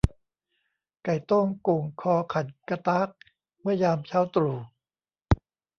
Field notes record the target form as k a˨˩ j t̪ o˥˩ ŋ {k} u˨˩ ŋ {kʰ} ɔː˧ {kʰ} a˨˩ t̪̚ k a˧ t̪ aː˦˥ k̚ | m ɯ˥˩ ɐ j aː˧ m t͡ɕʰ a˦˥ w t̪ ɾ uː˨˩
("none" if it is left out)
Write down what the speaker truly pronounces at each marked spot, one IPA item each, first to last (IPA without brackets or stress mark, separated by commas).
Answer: k, kʰ, kʰ